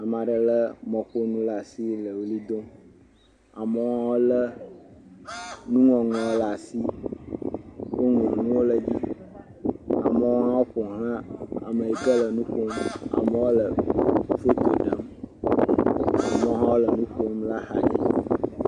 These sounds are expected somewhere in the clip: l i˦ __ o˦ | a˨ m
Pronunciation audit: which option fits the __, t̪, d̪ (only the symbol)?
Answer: d̪